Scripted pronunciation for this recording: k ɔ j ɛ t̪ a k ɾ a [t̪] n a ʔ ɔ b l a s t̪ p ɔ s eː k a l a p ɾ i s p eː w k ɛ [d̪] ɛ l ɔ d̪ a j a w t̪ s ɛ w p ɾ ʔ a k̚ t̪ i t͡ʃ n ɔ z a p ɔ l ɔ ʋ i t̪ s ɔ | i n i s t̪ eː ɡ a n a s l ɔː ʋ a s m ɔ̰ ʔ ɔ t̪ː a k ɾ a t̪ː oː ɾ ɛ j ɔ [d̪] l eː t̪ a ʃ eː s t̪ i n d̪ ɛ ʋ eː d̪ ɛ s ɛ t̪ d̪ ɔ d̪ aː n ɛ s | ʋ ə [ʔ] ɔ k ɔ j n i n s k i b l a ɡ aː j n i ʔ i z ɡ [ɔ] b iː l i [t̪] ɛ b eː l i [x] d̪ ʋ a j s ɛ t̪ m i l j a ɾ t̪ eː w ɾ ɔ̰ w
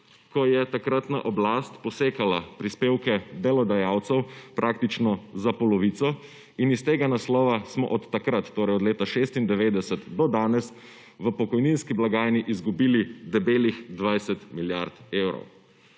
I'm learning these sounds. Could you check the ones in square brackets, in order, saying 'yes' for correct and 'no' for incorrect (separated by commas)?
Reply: yes, yes, yes, no, no, no, yes